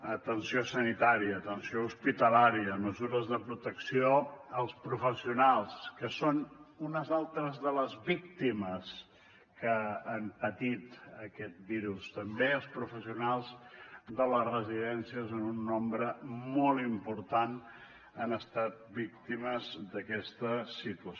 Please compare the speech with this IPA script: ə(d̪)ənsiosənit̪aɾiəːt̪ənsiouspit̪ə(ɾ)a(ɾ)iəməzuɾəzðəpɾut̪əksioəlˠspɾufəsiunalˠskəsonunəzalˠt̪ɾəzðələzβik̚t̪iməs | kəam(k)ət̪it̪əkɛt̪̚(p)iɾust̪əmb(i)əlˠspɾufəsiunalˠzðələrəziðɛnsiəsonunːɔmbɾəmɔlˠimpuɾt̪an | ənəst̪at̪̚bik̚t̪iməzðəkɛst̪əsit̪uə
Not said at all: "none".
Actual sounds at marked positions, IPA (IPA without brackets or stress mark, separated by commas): t̪, l, ɾ, p, b, e